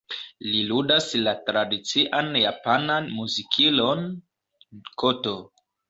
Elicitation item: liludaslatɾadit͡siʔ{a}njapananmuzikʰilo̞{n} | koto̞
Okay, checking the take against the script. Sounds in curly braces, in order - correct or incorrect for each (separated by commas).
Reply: correct, correct